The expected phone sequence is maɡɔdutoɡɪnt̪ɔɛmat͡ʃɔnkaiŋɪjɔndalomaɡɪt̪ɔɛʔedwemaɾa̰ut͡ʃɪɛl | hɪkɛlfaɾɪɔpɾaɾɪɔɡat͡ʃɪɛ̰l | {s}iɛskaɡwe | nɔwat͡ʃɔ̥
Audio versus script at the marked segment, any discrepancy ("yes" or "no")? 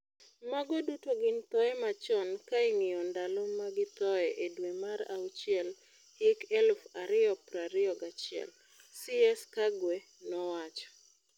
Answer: no